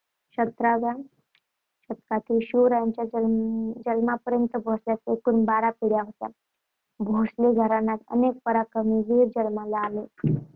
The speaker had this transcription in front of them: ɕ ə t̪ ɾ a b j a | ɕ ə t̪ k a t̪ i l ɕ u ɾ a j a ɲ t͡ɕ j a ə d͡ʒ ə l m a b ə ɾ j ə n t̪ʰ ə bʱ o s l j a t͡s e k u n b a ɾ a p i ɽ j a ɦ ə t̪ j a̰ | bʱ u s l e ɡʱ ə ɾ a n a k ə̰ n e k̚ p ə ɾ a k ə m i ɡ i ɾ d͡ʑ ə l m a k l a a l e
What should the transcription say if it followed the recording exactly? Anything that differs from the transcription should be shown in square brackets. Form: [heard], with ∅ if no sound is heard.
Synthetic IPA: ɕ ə t̪ ɾ a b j a | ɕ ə t̪ k a t̪ i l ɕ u ɾ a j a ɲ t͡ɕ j a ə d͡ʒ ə l m a [p] ə ɾ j ə n [t̪] ə bʱ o s l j a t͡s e k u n b a ɾ a p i ɽ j a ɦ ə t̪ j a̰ | bʱ [o] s l e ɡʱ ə ɾ a n a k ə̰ n e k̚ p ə ɾ a k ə m i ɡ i ɾ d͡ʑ ə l m a [∅] l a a l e